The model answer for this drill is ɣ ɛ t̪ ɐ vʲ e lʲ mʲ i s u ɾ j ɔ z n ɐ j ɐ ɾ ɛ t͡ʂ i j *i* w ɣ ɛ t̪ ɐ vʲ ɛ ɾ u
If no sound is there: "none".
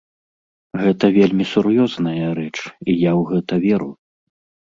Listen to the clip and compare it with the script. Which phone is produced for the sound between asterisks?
a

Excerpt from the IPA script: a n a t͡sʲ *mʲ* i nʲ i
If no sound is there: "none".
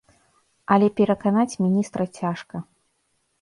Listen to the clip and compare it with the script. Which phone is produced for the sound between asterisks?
mʲ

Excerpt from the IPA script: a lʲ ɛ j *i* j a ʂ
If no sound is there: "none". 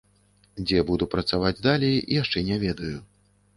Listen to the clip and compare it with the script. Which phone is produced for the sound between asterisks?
i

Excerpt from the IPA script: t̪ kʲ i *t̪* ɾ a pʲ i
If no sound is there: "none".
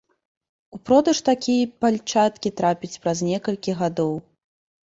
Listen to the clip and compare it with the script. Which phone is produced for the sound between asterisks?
t̪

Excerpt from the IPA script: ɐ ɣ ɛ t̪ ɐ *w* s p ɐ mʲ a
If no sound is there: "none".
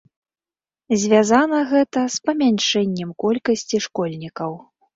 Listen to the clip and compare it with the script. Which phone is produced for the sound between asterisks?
none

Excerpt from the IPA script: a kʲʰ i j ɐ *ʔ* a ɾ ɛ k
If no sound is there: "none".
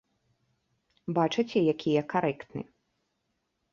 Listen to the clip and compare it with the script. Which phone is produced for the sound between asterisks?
k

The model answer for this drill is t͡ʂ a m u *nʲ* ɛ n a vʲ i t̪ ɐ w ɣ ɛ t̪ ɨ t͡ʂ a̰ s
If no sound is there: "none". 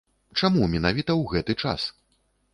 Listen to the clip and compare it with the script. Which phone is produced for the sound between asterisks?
mʲ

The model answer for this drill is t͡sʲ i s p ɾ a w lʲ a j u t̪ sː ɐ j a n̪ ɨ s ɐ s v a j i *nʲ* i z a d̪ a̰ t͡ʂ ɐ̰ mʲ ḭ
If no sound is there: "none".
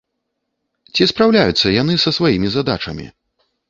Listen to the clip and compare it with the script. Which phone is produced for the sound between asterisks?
mʲ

